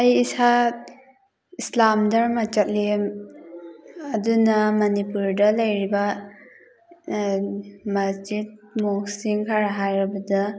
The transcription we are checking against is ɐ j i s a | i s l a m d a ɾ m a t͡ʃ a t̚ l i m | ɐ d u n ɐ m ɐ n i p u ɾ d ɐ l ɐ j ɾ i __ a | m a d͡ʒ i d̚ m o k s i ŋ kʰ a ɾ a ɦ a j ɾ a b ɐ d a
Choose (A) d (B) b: B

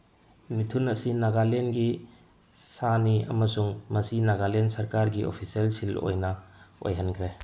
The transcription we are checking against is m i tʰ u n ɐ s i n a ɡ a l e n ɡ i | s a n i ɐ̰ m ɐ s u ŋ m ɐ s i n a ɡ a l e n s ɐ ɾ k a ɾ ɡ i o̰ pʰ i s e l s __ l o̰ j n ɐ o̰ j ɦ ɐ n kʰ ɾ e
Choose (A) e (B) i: B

